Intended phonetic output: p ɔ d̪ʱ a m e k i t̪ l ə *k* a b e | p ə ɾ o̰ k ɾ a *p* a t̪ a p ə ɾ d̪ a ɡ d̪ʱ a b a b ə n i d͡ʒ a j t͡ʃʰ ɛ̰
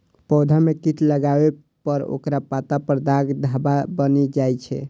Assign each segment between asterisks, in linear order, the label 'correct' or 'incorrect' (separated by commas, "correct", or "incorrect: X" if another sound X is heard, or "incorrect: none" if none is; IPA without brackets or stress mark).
incorrect: ɡ, correct